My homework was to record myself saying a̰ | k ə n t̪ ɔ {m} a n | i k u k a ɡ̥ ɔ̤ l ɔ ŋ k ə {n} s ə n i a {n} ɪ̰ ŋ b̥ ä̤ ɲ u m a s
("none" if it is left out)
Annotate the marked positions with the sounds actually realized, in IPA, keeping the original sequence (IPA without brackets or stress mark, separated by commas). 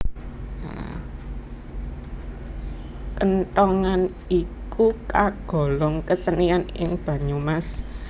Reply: ŋ, none, n